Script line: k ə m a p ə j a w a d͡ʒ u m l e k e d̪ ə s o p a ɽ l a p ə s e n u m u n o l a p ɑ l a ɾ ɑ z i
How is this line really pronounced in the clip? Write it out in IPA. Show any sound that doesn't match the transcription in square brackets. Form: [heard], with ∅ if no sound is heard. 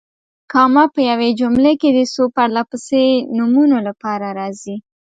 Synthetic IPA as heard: k [ɑ] m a p ə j a w [e] d͡ʒ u m l e k e d̪ ə s o p a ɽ l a p ə s e n u m u n o l a p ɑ [ɾ] a ɾ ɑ z i